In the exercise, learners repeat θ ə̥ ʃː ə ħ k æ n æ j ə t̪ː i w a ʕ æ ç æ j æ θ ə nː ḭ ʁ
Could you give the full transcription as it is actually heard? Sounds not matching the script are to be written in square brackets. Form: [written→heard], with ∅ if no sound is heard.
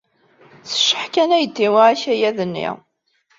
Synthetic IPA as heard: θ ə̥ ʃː ə ħ k æ n æ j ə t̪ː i w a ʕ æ ç æ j æ [θ→ð] ə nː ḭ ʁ

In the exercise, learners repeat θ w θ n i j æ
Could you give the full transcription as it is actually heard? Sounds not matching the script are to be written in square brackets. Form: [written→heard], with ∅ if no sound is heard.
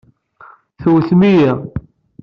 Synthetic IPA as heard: θ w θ [n→m] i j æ

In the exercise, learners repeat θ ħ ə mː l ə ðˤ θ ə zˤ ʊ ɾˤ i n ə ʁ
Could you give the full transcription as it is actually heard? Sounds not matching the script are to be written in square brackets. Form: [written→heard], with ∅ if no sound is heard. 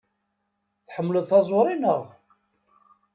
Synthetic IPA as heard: θ ħ ə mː l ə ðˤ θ [ə→ɑ] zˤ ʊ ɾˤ i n ə ʁ

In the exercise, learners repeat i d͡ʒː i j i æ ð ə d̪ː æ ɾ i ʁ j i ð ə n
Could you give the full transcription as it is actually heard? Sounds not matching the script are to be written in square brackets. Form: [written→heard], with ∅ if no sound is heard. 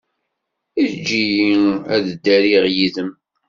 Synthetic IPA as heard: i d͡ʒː i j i æ ð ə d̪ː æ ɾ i ʁ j i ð ə [n→m]

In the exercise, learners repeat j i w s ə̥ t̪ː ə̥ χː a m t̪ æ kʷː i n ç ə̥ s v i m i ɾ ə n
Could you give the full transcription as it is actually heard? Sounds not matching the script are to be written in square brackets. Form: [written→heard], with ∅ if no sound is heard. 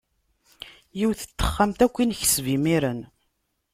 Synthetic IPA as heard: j i w [s→θ] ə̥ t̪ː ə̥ χː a m t̪ æ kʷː i n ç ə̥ s v i m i ɾ ə n

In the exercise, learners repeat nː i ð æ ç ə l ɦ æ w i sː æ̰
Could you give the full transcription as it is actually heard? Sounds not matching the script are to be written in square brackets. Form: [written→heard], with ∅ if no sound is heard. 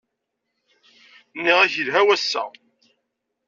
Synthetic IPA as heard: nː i [ð→ʁ] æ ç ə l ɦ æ w [i→æ] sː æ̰

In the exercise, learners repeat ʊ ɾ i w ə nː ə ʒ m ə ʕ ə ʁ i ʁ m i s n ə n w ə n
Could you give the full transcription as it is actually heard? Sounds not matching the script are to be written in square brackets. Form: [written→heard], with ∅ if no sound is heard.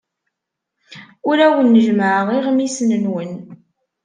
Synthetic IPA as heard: ʊ ɾ [i→æ] w ə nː ə ʒ m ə ʕ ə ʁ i ʁ m i s n ə n w ə n

